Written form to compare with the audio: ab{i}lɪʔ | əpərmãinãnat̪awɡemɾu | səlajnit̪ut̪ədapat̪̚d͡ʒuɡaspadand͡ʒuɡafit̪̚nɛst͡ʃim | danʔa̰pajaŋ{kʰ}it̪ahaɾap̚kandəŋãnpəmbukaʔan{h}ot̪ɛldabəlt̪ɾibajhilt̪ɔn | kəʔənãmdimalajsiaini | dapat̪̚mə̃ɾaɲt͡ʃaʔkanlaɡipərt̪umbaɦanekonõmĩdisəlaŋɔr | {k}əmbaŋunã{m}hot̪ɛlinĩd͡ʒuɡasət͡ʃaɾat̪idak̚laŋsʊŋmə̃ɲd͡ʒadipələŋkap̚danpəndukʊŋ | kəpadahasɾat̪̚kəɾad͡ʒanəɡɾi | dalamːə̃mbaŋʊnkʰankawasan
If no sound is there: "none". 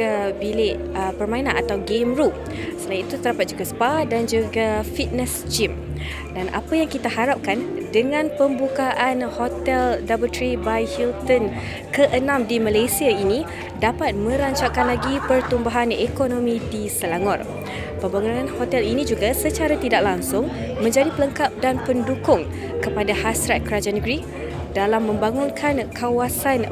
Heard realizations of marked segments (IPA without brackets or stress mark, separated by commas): i, k, h, p, n